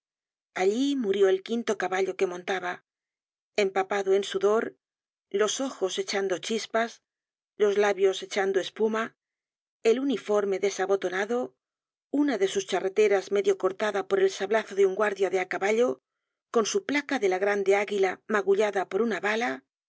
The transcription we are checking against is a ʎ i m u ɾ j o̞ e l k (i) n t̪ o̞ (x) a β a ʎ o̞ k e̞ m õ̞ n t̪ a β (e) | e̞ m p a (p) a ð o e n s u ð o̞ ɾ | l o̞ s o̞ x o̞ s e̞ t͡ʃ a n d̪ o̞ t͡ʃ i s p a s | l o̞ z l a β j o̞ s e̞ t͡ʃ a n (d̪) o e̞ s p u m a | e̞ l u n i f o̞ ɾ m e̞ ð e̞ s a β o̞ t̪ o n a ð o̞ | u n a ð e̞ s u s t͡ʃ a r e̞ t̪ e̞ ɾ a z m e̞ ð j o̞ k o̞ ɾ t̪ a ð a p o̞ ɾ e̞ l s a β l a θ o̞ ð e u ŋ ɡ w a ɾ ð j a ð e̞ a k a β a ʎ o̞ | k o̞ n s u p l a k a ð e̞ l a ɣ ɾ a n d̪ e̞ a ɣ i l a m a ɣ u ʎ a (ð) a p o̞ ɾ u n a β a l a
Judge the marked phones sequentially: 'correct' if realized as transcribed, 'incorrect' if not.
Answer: correct, incorrect: k, incorrect: a, correct, correct, correct

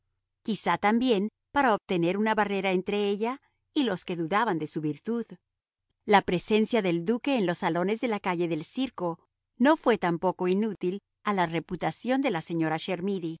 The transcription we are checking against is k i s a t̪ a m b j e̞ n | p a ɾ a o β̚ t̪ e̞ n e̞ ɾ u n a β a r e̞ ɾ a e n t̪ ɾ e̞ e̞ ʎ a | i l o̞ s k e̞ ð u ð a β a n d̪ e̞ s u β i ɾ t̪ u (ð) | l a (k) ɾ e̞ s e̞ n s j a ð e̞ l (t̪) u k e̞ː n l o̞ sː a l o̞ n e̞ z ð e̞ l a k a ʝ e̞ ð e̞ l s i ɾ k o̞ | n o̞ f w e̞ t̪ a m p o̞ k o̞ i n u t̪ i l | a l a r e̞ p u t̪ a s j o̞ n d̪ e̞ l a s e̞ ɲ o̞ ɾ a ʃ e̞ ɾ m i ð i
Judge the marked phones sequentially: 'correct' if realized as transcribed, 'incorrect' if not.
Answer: correct, incorrect: p, incorrect: d̪

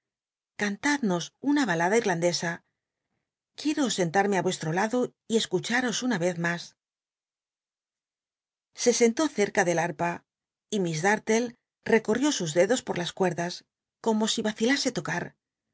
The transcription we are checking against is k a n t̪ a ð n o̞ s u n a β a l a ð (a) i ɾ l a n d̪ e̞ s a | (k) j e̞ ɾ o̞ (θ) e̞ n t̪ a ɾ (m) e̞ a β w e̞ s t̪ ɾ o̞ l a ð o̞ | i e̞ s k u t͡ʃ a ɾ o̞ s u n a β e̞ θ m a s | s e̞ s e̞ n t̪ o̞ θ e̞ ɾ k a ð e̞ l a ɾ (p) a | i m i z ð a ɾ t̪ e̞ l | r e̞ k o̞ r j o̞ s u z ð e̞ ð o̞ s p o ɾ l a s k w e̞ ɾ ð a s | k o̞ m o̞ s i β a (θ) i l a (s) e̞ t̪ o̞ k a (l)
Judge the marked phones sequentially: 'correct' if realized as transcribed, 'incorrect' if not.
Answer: correct, correct, incorrect: s, correct, correct, correct, correct, incorrect: ɾ

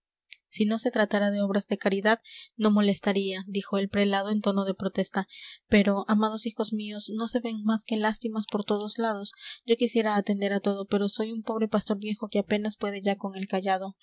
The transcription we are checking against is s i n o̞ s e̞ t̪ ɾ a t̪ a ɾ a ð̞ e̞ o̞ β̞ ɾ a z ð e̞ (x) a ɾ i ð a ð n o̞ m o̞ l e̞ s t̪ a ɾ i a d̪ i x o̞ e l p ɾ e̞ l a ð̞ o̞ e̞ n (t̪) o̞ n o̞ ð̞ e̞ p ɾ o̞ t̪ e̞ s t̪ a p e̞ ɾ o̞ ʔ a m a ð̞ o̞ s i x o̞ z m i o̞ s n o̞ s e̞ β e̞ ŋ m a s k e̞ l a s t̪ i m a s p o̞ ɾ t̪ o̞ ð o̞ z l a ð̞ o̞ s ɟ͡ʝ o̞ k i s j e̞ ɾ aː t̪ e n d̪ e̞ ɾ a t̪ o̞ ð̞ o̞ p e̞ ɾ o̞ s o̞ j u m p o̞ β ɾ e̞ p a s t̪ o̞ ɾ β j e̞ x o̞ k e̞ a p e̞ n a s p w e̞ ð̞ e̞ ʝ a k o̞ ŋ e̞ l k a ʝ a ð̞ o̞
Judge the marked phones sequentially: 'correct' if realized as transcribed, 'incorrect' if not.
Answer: incorrect: k, correct

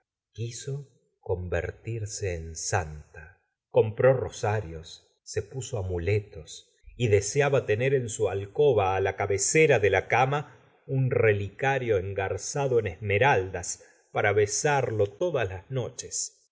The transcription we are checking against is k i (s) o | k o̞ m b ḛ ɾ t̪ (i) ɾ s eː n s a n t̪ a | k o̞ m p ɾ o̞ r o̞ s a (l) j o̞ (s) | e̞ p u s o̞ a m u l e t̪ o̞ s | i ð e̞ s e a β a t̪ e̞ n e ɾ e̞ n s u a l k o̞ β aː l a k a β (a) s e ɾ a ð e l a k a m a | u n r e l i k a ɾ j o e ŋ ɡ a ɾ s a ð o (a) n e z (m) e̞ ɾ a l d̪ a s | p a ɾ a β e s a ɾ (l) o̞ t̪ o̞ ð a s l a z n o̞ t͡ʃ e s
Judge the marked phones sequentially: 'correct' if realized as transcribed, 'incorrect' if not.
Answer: correct, correct, incorrect: ɾ, incorrect: sː, incorrect: e, incorrect: e, correct, correct

